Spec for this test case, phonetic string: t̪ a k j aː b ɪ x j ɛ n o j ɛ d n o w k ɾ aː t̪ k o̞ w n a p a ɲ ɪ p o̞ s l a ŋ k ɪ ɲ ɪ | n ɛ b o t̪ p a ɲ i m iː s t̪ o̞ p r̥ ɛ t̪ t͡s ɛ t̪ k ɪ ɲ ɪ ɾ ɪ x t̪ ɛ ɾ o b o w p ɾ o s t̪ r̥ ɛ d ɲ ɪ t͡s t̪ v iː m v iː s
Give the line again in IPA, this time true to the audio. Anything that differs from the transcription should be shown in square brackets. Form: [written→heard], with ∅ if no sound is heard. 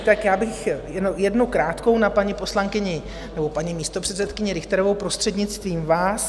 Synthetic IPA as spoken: t̪ a k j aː b ɪ x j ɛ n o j ɛ d n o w k ɾ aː t̪ k o̞ w n a p a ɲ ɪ p o̞ s l a ŋ k ɪ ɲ ɪ | n ɛ b o [t̪→∅] p a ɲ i m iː s t̪ o̞ p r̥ ɛ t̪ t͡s ɛ t̪ k ɪ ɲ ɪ ɾ ɪ x t̪ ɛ ɾ o [b→v] o w p ɾ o s t̪ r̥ ɛ d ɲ ɪ t͡s t̪ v iː m v [iː→aː] s